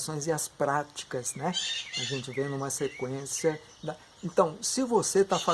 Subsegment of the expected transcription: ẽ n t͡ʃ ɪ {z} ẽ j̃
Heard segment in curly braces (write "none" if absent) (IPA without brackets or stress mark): v